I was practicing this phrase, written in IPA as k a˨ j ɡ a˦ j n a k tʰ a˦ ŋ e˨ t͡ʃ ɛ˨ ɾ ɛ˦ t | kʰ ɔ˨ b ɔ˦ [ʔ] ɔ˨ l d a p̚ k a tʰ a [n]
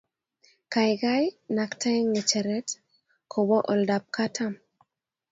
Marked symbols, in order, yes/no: yes, no

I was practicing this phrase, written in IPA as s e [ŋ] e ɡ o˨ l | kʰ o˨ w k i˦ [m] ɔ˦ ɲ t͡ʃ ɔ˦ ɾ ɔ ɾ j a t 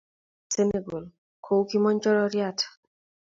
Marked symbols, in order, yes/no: no, yes

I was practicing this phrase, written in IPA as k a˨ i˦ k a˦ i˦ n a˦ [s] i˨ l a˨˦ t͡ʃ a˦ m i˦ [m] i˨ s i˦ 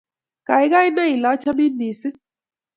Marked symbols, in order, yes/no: no, no

